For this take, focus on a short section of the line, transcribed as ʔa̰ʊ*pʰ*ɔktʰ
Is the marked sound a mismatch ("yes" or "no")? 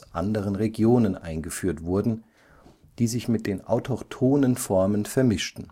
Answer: yes